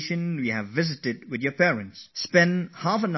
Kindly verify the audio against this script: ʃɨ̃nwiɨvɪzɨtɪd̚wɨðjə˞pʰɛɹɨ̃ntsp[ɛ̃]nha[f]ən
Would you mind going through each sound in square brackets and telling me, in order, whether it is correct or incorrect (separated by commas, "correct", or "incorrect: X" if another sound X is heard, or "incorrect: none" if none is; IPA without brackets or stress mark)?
correct, correct